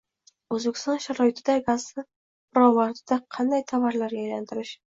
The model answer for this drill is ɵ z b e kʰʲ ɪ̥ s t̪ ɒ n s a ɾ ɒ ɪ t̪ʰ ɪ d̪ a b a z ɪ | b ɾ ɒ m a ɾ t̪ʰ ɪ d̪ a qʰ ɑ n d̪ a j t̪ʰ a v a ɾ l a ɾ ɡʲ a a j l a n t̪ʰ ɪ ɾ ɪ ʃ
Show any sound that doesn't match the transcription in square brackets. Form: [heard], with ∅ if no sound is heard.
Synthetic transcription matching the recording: ɵ z b e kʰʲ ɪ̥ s t̪ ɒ n [ʃ] a ɾ ɒ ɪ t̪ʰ ɪ d̪ a [ɡ] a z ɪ | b ɾ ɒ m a ɾ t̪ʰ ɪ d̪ a qʰ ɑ n d̪ a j t̪ʰ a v a ɾ l a ɾ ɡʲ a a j l a n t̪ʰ ɪ ɾ ɪ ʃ